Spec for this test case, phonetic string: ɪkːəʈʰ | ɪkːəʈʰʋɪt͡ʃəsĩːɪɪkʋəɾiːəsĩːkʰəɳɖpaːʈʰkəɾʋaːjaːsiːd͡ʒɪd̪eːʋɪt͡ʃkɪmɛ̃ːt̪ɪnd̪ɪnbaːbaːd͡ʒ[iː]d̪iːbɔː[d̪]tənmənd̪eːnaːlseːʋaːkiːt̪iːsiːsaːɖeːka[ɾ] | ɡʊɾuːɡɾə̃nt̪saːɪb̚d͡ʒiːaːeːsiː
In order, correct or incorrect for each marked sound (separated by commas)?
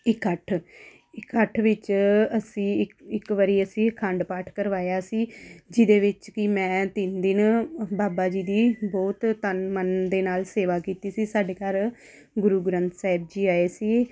correct, incorrect, correct